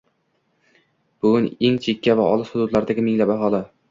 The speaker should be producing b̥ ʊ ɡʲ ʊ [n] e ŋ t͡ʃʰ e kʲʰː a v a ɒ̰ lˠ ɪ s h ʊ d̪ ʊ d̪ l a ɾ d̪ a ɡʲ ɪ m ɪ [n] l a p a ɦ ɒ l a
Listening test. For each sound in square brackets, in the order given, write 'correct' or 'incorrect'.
correct, incorrect: ŋ

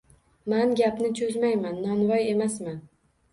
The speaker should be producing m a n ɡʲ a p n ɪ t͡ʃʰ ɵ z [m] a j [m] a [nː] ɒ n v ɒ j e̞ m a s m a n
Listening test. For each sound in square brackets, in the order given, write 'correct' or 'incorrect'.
correct, correct, correct

